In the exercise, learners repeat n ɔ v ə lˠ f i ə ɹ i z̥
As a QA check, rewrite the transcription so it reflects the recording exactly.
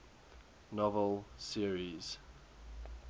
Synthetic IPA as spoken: n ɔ v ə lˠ s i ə ɹ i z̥